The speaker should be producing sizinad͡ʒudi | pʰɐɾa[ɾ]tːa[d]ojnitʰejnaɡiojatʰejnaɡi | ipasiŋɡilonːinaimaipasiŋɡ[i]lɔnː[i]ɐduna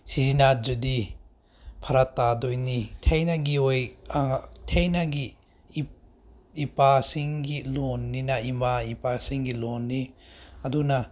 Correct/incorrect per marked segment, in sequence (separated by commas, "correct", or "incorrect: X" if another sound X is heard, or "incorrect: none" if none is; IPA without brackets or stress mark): incorrect: none, correct, correct, correct